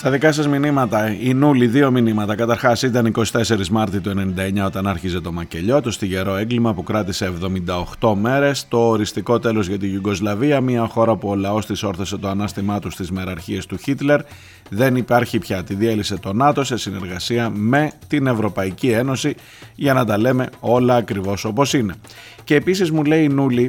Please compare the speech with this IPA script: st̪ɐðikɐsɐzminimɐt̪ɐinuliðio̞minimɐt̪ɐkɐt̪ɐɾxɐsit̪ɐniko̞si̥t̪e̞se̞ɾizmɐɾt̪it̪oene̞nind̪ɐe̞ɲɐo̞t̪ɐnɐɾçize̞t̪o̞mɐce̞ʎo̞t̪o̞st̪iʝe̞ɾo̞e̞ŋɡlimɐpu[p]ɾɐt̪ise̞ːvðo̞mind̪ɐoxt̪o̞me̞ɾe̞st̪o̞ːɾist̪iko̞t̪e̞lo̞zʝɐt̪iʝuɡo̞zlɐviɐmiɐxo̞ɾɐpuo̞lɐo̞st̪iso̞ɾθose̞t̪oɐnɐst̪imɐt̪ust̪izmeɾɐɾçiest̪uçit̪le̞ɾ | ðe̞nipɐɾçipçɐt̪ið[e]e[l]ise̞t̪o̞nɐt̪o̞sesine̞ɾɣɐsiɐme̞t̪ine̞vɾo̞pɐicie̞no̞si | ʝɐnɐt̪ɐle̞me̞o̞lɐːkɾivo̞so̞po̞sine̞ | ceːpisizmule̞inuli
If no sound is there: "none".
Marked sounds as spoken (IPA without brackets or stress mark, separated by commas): k, i, l